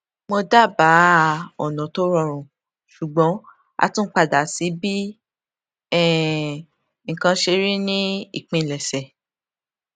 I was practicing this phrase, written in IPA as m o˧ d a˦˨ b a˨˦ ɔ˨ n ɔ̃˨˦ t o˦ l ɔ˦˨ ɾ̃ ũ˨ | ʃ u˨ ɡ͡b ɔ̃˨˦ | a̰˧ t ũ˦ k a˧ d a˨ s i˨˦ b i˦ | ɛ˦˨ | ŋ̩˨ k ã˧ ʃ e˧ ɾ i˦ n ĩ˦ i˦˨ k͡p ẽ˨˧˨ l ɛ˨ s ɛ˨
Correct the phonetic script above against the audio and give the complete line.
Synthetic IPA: m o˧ d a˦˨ b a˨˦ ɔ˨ n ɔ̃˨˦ t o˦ ɾ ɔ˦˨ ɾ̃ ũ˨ | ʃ u˨ ɡ͡b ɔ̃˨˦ | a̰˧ t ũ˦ k͡p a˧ d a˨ s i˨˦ b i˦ | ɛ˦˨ | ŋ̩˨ k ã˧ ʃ e˧ ɾ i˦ n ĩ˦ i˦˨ k͡p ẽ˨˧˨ l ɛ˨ s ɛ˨